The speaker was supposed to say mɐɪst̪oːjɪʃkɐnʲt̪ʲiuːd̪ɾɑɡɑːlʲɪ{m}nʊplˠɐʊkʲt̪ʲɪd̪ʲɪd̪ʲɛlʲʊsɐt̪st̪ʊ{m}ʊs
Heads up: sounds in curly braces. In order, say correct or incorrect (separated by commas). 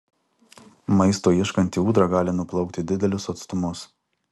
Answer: incorrect, correct